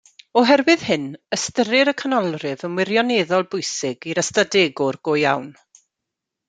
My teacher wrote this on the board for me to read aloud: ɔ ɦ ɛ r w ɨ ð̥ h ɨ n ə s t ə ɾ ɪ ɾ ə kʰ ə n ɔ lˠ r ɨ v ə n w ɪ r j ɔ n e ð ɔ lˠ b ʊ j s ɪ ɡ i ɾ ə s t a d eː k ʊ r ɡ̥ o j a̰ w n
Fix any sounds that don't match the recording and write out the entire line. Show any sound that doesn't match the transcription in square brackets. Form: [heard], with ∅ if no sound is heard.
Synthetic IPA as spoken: ɔ ɦ ɛ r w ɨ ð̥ h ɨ n ə s t ə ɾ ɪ ɾ ə kʰ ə n ɔ lˠ r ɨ v ə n w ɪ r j ɔ n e ð ɔ lˠ b ʊ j s ɪ ɡ i ɾ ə s t a d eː [ɡ] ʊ r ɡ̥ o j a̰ w n